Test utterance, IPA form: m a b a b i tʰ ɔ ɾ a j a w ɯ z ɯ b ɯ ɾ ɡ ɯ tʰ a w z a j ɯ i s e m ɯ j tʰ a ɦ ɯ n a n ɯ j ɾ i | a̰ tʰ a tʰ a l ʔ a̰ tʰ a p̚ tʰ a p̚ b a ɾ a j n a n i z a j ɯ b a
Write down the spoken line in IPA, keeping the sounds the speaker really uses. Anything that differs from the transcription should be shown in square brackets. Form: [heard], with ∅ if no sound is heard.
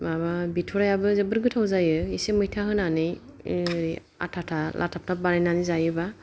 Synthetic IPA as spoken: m a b a b i tʰ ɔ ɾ a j a [b] ɯ z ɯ b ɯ ɾ ɡ ɯ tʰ a w z a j ɯ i s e m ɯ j tʰ a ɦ ɯ n a n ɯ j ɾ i | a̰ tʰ a tʰ a l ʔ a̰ tʰ a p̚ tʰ a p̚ b a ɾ a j n a n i z a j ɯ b a